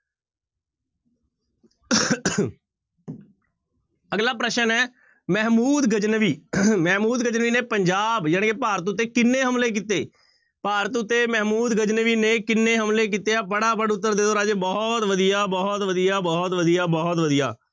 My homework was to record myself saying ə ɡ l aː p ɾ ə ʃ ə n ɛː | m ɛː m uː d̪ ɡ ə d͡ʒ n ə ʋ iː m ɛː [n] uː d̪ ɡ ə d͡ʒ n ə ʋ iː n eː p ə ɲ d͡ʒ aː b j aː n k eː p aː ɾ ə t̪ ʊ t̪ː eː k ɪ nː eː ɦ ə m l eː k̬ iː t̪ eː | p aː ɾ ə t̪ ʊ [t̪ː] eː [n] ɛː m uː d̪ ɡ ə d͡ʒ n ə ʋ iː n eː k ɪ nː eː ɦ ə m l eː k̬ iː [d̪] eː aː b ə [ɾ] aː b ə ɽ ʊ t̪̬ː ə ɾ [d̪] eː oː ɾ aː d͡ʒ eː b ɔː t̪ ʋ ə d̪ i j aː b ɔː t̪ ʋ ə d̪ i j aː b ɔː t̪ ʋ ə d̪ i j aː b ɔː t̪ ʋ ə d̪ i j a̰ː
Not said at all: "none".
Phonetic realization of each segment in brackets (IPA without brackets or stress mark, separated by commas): m, t̪ː, m, t̪, ɽ, d̪